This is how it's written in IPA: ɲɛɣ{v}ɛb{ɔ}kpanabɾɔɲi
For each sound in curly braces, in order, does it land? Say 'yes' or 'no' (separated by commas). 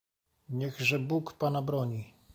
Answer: no, no